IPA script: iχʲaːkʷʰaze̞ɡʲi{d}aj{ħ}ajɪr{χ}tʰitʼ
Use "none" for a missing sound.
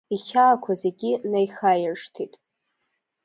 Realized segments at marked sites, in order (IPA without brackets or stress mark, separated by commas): n, χ, ʂ